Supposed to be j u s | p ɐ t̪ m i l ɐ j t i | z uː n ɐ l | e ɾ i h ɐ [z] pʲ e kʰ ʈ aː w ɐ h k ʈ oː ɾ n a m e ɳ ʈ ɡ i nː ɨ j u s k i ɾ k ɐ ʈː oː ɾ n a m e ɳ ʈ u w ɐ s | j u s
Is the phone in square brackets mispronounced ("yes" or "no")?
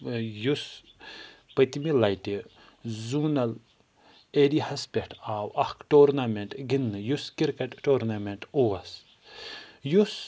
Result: yes